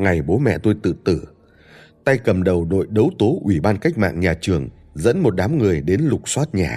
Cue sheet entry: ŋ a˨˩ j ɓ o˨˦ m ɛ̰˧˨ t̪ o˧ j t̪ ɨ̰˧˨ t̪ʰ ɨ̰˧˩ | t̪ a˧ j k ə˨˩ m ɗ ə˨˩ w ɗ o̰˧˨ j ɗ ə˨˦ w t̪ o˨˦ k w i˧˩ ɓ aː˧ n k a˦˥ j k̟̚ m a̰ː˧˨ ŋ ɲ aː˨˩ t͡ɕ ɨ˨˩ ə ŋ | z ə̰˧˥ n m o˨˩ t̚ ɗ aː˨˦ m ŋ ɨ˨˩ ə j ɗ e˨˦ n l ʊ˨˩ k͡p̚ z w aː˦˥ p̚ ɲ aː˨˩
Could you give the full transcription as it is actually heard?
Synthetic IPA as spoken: ŋ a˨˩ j ɓ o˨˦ m ɛ̰˧˨ t̪ o˧ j t̪ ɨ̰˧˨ t̪ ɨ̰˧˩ | t̪ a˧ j k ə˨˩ m ɗ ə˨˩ w ɗ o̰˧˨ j ɗ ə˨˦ w t̪ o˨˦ ʔ w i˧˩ ɓ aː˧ n k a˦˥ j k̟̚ m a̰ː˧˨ ŋ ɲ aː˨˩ t͡ɕ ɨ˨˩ ə ŋ | z ə̰˧˥ n m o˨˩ t̚ ɗ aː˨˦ m ŋ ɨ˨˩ ə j ɗ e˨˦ n l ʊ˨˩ k͡p̚ s w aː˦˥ t̚ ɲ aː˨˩